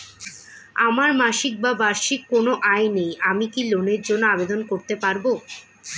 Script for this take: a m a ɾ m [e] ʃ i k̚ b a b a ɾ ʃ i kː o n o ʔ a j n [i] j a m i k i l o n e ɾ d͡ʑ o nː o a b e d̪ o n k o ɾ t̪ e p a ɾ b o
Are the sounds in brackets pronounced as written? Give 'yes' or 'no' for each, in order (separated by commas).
no, no